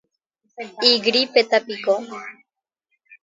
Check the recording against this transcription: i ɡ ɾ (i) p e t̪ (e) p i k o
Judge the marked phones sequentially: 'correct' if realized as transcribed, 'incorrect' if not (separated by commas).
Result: correct, incorrect